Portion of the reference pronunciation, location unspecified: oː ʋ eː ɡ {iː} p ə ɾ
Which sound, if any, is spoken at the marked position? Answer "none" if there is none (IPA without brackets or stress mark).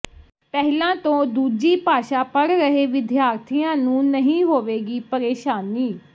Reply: iː